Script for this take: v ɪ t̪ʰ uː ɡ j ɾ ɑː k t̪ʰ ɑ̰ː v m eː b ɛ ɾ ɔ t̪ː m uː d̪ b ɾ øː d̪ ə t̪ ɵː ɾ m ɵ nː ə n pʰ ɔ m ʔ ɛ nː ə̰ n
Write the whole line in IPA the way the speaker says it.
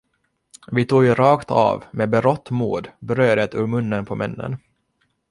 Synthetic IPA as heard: v ɪ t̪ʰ uː ɡ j ɾ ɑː k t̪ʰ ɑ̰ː v m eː b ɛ ɾ ɔ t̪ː m uː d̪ b ɾ øː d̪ ə t̪ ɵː ɾ m ɵ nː ə n pʰ ɔ m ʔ ɛ nː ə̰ n